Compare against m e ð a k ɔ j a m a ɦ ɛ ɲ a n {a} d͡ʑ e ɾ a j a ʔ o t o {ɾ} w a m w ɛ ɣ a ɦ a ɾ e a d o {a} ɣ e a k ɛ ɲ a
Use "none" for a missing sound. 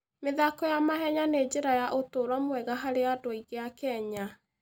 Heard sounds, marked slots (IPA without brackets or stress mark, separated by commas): e, ɾ, i